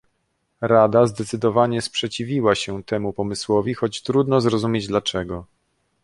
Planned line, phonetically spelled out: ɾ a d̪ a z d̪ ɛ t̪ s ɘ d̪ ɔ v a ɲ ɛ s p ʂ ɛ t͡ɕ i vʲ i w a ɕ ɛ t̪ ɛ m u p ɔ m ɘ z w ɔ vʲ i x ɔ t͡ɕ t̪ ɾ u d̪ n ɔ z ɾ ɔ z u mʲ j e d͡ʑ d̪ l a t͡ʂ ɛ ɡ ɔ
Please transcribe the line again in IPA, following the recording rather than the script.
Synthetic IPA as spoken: ɾ a d̪ a z d̪ ɛ t̪ s ɘ d̪ ɔ v a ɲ ɛ s p ʂ ɛ t͡ɕ i vʲ i w a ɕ ɛ t̪ ɛ m u p ɔ m ɘ s w ɔ vʲ i x ɔ t͡ɕ t̪ ɾ u d̪ n ɔ z ɾ ɔ z u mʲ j e d͡ʑ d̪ l a t͡ʂ ɛ ɡ ɔ